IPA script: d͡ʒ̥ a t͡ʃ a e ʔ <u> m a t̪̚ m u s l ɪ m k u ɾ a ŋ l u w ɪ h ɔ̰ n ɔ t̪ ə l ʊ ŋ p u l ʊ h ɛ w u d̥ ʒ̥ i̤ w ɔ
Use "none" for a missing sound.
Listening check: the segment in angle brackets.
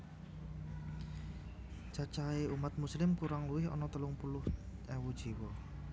u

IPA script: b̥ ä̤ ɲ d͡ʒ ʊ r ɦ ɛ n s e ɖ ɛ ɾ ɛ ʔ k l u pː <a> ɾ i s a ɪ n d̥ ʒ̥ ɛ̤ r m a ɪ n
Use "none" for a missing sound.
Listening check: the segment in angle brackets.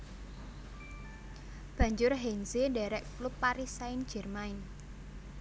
a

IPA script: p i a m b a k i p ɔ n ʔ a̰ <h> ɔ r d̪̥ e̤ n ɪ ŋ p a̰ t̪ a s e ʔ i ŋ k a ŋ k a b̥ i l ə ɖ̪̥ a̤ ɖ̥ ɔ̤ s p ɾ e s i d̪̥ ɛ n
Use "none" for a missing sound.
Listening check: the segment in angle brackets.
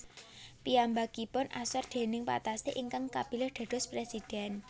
s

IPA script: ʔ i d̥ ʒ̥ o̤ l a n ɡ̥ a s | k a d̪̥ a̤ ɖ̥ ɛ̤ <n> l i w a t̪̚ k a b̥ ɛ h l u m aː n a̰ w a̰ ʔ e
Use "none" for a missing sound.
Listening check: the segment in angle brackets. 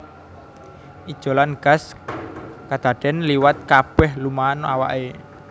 n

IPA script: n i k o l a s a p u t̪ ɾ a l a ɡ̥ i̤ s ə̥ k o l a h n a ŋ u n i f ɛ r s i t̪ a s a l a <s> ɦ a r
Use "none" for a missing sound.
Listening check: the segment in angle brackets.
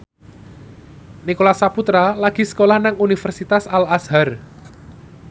s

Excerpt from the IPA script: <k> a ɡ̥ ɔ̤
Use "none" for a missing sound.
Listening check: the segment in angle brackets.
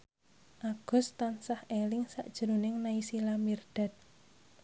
ʔ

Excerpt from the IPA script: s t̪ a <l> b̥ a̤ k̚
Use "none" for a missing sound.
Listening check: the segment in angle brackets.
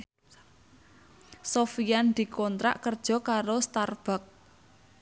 r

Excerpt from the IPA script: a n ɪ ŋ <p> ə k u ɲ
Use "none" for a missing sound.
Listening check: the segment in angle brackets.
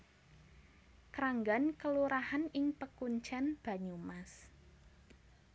p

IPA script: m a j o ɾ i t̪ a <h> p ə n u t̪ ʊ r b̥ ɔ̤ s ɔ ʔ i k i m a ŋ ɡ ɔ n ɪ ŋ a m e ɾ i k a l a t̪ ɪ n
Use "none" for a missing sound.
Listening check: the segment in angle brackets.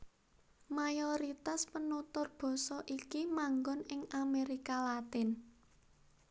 s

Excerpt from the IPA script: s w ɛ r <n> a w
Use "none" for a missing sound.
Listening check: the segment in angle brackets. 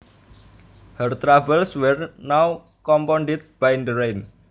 n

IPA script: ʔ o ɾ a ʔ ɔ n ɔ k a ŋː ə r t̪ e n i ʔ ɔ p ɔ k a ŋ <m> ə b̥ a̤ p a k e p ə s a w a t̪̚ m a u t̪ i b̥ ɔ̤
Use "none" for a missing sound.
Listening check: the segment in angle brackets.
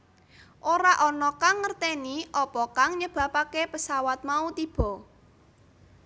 ɲ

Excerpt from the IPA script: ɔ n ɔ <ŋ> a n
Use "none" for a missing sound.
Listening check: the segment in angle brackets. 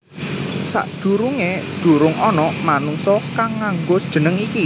m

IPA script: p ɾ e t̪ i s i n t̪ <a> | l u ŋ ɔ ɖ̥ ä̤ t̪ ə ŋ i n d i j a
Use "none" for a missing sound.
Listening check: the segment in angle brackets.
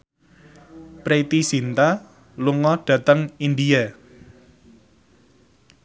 a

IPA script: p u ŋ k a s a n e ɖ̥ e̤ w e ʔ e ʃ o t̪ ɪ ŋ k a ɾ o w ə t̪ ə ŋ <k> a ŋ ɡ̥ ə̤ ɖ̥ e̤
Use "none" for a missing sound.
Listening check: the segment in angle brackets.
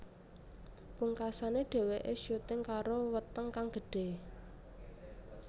k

